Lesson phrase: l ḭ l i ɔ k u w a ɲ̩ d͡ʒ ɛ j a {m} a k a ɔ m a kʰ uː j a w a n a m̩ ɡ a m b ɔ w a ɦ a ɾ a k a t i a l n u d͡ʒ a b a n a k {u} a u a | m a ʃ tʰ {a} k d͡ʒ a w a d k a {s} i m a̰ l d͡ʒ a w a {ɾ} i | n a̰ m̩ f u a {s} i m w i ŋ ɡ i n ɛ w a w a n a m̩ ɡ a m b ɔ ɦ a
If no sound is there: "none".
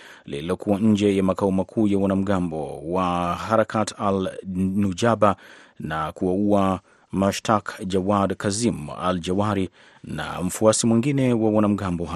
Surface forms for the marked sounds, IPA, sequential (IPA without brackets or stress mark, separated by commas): m, u, a, z, ɾ, s